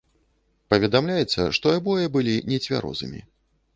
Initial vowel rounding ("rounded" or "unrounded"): unrounded